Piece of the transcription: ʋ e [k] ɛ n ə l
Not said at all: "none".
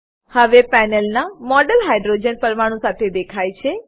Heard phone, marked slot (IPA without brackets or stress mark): p